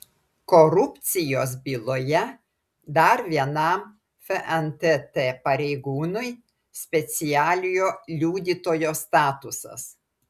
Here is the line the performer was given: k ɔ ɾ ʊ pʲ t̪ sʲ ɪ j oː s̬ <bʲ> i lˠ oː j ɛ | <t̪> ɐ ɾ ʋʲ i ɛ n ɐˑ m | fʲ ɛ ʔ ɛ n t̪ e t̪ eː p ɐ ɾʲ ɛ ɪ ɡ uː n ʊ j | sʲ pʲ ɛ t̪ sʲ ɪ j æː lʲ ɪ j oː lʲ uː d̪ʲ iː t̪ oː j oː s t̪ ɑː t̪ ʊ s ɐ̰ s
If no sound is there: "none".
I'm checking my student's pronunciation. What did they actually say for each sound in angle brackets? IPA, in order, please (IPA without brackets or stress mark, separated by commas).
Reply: bʲ, d̪